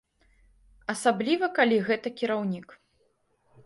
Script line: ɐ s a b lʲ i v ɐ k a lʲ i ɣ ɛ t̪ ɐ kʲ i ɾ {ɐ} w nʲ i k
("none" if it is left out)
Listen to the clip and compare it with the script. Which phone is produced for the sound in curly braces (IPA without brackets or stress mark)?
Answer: a